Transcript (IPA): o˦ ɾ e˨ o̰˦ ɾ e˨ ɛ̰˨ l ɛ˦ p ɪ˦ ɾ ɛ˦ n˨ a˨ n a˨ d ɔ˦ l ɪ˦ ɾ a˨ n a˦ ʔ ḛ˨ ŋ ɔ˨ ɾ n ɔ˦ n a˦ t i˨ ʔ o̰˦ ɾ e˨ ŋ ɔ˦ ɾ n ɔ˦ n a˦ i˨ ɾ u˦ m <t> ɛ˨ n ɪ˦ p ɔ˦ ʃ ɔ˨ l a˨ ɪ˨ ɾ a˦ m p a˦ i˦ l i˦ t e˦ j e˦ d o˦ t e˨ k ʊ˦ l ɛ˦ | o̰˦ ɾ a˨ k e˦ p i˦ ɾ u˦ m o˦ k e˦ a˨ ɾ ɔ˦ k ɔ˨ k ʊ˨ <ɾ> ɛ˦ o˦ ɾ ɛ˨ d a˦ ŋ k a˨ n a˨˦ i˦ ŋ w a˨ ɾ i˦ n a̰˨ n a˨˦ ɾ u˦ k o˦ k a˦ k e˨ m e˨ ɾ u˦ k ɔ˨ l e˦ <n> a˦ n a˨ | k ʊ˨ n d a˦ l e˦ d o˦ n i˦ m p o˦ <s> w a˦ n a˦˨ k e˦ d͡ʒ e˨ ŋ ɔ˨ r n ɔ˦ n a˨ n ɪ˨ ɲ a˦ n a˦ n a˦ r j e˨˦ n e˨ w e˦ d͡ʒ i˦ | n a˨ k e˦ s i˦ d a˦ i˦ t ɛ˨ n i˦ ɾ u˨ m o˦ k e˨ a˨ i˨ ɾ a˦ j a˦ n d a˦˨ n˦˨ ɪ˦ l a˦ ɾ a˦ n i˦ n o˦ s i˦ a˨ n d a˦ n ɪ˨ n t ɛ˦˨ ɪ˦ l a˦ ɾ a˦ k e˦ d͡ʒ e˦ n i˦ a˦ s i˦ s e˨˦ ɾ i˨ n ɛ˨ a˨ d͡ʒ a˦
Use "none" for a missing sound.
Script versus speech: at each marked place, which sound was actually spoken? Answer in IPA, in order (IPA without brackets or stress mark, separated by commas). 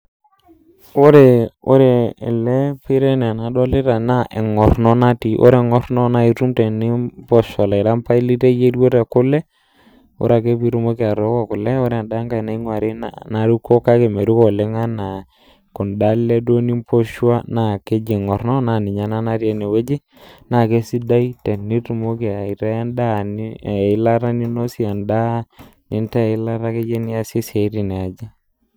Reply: t, l, ŋ, ʃ